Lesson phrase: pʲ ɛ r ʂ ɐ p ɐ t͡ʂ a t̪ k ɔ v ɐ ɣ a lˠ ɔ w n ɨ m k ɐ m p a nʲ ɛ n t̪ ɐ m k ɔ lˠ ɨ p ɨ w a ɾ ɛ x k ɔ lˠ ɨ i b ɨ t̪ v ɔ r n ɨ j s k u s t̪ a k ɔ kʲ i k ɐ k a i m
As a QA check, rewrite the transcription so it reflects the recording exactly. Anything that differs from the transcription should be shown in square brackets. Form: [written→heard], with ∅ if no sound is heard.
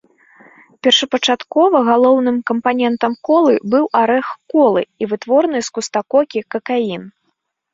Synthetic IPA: pʲ ɛ r ʂ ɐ p ɐ t͡ʂ a t̪ k ɔ v ɐ ɣ a lˠ ɔ w n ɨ m k ɐ m p a nʲ ɛ n t̪ ɐ m k ɔ lˠ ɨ [p→b] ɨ w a ɾ ɛ x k ɔ lˠ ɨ i [b→v] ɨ t̪ v ɔ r n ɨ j s k u s t̪ a k ɔ kʲ i k ɐ k a i [m→n]